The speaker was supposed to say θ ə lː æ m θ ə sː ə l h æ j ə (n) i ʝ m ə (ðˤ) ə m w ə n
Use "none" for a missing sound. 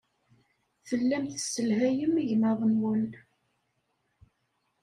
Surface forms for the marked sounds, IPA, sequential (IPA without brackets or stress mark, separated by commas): m, ðˤ